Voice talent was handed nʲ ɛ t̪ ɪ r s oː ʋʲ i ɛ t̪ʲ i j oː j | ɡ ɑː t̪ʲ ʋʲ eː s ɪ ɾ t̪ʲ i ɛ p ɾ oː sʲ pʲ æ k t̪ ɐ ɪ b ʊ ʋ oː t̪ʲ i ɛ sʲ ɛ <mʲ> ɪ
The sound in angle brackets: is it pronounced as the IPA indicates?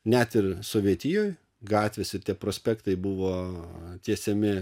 yes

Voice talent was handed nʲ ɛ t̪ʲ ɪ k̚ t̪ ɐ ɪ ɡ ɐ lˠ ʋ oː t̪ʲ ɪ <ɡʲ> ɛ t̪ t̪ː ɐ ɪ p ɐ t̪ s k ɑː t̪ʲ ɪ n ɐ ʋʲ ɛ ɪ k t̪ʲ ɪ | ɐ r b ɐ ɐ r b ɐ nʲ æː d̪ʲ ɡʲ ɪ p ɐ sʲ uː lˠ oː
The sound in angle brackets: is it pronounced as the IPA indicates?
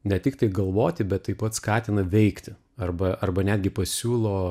no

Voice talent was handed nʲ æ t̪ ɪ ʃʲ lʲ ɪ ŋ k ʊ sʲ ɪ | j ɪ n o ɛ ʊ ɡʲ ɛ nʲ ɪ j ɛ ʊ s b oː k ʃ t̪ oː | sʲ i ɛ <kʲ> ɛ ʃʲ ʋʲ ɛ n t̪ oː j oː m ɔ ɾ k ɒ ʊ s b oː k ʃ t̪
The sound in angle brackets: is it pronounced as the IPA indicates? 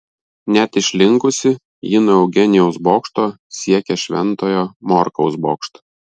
yes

